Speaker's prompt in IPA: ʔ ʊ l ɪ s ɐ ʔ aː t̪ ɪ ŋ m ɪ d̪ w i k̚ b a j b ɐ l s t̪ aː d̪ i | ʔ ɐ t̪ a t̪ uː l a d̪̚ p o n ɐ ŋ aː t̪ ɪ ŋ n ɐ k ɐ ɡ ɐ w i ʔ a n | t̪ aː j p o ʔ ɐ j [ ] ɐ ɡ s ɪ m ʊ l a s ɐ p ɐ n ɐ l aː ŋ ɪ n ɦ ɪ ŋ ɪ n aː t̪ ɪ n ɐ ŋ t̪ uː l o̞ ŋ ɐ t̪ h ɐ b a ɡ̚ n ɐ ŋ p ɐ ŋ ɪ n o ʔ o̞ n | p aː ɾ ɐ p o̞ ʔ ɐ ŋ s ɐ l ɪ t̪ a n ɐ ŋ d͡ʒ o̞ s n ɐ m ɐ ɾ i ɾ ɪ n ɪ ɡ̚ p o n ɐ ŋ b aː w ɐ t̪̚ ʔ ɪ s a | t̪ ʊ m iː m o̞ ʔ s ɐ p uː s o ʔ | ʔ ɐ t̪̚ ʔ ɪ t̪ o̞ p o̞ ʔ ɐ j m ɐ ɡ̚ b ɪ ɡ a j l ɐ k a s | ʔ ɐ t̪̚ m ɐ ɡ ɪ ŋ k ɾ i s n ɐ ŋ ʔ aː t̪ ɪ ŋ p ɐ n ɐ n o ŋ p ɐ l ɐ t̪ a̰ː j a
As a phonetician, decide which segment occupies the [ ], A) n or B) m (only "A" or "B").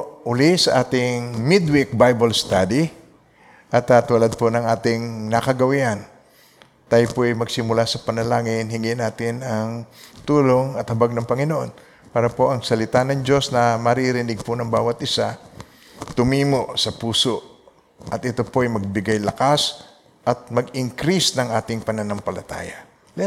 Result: B